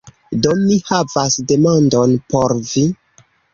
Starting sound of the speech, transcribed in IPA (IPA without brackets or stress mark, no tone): d